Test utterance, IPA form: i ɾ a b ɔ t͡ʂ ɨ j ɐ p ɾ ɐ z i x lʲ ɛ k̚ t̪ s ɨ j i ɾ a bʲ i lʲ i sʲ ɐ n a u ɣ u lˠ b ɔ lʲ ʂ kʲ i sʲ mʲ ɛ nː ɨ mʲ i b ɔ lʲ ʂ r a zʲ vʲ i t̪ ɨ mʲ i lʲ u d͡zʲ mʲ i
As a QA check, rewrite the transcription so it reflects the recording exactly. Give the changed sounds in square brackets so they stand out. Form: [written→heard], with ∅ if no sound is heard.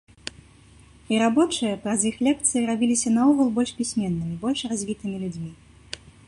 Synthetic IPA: i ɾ a b ɔ t͡ʂ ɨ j ɐ p ɾ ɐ z i x lʲ ɛ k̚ t̪ s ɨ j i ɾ a bʲ i lʲ i sʲ ɐ n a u ɣ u lˠ b ɔ lʲ ʂ [kʲ→pʲ] i sʲ mʲ ɛ nː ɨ mʲ i b ɔ lʲ ʂ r a zʲ vʲ i t̪ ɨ mʲ i lʲ u d͡zʲ mʲ i